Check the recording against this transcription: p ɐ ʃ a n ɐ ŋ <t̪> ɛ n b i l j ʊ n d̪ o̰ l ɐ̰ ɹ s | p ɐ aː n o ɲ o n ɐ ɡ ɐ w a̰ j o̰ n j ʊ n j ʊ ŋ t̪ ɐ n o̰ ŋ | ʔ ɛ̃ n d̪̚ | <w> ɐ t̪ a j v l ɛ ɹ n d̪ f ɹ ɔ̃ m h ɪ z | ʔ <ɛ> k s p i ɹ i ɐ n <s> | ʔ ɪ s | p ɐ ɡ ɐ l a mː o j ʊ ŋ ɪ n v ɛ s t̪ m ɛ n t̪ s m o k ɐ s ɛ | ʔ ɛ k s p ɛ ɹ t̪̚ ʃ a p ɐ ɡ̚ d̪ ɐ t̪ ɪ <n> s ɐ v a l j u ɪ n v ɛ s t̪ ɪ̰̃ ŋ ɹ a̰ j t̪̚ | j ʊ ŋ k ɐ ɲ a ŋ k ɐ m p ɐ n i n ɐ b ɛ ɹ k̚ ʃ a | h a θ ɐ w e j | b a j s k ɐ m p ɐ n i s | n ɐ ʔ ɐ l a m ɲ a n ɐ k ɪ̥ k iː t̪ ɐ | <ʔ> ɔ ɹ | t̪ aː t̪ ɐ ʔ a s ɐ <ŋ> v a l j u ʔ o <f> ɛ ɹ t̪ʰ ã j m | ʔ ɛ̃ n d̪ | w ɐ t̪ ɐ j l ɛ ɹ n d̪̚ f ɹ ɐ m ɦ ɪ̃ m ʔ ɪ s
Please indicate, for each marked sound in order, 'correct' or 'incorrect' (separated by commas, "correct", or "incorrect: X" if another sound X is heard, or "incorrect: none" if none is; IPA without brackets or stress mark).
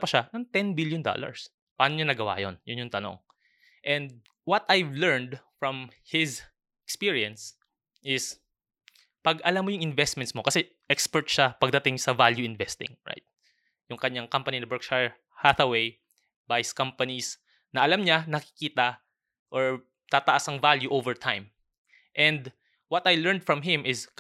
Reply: correct, correct, correct, correct, incorrect: ŋ, correct, correct, incorrect: v